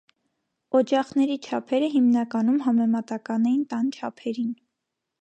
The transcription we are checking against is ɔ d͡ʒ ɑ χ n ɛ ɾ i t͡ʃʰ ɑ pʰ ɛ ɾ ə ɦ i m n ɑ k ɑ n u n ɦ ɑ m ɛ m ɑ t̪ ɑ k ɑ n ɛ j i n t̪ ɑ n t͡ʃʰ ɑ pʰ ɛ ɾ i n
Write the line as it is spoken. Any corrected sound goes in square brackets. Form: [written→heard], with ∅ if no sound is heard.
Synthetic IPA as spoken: ɔ d͡ʒ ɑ χ n ɛ ɾ i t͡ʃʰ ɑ pʰ ɛ ɾ ə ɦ i m n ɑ k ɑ n u [n→m] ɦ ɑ m ɛ m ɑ t̪ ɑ k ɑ n ɛ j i n t̪ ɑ n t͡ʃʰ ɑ pʰ ɛ ɾ i n